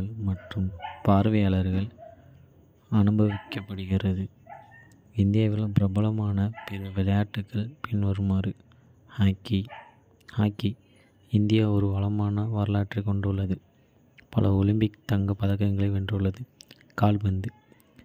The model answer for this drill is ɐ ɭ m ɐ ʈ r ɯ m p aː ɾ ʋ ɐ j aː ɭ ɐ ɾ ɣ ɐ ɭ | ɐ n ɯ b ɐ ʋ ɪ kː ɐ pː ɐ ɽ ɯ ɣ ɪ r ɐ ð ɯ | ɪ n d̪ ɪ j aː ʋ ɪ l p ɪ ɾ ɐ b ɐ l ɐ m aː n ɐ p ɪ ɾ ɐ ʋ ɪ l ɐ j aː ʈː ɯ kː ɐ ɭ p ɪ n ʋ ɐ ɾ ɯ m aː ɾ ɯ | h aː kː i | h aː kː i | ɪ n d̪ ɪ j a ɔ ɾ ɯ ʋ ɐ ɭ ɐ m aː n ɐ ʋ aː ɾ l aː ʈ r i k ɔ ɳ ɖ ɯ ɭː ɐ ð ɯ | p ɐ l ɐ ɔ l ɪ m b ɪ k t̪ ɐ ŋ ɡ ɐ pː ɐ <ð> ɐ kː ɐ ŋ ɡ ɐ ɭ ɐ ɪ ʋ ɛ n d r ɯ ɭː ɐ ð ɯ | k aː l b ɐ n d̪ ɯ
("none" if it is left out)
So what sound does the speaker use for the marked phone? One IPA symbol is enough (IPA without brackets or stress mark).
ð